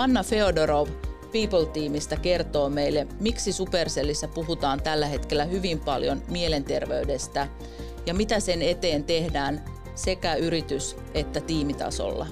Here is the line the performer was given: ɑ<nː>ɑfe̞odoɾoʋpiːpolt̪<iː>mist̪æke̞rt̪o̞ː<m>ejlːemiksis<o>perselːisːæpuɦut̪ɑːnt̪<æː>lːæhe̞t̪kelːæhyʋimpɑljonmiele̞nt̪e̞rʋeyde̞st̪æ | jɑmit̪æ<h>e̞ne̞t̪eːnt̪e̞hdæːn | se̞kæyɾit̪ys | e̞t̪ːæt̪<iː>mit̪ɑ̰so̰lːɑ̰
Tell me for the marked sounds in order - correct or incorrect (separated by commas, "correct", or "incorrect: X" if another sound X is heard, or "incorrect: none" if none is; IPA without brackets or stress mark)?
correct, correct, correct, incorrect: u, incorrect: æ, incorrect: s, correct